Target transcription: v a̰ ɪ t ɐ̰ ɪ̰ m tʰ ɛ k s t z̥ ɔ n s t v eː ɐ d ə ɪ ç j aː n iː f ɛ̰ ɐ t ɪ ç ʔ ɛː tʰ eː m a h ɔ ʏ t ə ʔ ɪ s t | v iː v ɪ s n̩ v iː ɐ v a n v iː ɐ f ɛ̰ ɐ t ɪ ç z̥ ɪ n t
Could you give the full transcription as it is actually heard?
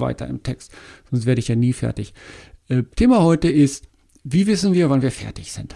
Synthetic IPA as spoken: v a̰ ɪ t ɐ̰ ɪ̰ m tʰ ɛ k s t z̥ ɔ n s t v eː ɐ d ə ɪ ç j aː n iː f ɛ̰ ɐ t ɪ ç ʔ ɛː tʰ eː m a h ɔ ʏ t ə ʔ ɪ s t | v iː v ɪ s n̩ v iː ɐ v a n v iː ɐ f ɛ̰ ɐ t ɪ ç z̥ ɪ n t